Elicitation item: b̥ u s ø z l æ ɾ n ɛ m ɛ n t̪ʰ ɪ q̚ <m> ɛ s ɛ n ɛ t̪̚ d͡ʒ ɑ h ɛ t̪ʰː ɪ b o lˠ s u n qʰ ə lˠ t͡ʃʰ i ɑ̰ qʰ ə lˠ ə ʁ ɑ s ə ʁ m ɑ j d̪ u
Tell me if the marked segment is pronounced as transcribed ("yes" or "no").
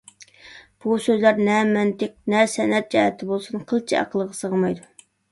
no